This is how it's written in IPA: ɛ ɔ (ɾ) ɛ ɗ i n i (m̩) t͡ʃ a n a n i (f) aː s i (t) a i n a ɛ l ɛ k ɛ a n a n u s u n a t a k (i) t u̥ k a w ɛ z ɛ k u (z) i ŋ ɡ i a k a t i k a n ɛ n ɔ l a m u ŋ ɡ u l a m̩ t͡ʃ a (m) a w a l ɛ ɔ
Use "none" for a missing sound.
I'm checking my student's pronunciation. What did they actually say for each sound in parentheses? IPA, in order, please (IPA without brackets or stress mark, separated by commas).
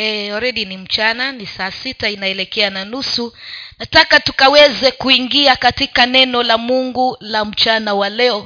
ɾ, m̩, s, t, a, none, n